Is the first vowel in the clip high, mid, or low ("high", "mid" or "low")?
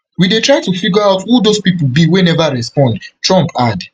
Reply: high